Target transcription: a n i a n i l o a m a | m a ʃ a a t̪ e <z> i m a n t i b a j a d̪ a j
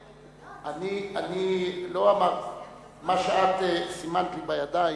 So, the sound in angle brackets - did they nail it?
no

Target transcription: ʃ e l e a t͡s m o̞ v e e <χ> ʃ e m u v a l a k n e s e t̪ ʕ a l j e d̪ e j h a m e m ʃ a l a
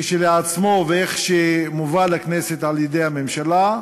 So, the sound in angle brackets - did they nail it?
yes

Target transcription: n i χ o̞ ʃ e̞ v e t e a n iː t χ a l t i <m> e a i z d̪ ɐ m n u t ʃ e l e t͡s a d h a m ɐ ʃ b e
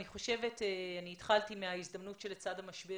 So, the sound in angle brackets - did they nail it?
yes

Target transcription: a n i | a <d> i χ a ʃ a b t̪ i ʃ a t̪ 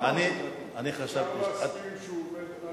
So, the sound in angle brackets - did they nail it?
no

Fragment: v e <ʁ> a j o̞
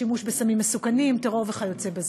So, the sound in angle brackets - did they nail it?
no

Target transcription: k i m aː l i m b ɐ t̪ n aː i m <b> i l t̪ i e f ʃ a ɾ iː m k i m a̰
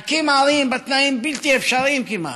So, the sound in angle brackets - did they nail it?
yes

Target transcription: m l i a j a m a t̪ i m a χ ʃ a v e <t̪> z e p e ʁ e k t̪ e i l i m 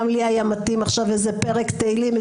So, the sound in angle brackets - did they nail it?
no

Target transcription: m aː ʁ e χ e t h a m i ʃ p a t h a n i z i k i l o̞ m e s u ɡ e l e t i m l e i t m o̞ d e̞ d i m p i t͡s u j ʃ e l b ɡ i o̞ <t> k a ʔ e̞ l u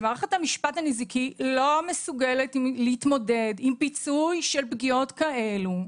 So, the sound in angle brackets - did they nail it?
yes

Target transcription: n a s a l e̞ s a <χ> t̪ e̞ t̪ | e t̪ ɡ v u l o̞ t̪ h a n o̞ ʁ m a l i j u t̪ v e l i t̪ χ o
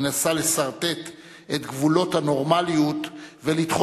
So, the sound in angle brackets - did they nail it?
no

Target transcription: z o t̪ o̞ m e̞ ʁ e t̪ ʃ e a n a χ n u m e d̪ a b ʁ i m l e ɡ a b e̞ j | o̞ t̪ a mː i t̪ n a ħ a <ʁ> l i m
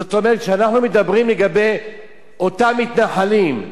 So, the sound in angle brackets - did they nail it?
no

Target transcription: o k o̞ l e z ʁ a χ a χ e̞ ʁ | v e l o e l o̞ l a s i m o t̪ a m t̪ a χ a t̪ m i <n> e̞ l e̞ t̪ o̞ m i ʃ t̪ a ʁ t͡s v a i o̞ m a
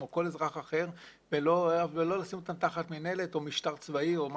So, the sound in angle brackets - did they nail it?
yes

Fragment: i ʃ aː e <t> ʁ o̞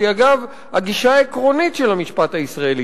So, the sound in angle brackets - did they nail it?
no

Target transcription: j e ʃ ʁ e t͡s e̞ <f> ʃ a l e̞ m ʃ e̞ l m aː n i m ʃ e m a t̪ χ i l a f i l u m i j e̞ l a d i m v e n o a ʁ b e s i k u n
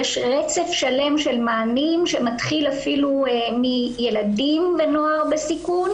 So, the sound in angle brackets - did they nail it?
yes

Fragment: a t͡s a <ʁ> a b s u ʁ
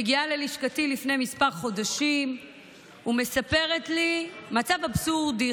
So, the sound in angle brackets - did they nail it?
no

